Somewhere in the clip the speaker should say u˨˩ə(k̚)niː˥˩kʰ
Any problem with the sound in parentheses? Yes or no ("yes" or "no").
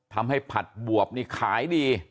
yes